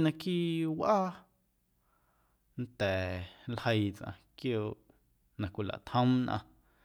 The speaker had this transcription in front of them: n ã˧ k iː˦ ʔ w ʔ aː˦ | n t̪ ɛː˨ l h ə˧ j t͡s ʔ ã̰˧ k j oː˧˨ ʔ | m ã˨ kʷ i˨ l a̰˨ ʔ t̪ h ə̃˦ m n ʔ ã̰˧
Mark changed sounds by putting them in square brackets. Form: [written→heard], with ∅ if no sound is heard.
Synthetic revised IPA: n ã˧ k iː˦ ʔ w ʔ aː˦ | n t̪ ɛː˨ l h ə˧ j t͡s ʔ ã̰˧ k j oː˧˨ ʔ | [m→n] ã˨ kʷ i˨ l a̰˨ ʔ t̪ h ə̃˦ m n ʔ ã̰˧